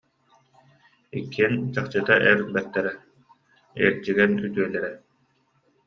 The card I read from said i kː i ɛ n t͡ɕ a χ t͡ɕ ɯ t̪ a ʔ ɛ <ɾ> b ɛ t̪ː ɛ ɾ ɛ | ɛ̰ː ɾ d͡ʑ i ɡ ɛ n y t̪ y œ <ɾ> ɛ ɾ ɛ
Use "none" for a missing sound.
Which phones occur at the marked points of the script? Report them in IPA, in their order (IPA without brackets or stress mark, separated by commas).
ɾ, l